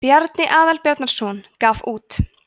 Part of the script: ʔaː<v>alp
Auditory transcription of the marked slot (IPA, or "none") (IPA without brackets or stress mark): ð